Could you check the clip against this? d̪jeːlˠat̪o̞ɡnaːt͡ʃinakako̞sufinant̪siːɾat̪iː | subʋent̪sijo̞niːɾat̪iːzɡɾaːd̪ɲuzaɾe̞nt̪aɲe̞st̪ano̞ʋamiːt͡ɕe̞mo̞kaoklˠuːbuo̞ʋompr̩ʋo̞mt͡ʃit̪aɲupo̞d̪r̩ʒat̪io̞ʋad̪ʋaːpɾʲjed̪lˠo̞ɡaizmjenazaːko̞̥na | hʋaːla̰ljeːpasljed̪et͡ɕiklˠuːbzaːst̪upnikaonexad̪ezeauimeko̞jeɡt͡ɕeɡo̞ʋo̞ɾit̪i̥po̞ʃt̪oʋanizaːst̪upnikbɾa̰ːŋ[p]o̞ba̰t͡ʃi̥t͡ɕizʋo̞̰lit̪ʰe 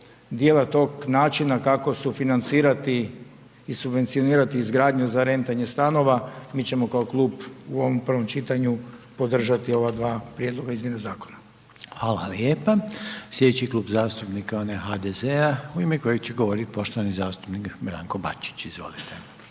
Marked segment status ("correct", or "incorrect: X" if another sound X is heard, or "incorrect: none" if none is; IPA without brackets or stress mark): incorrect: k